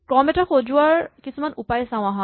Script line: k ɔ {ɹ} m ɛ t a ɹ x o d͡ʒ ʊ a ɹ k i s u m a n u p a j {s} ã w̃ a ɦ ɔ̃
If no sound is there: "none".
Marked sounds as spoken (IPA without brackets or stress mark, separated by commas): none, s